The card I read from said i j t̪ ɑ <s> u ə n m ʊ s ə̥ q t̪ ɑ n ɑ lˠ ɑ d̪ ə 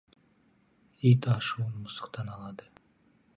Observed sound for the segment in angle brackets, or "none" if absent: ʃ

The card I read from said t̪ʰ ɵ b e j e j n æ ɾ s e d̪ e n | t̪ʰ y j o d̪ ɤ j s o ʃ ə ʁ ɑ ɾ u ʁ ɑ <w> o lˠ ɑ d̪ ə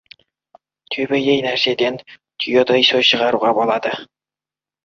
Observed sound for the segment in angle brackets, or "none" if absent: b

